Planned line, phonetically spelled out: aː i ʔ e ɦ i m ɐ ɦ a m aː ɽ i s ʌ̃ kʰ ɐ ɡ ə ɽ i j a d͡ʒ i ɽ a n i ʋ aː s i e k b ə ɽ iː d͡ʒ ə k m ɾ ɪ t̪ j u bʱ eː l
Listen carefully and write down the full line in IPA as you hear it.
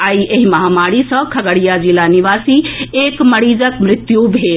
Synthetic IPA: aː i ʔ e ɦ i m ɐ ɦ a m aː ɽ i s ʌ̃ kʰ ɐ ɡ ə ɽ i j a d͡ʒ i l a n i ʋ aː s i e k m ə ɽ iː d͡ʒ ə k m ɾ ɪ t̪ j u bʱ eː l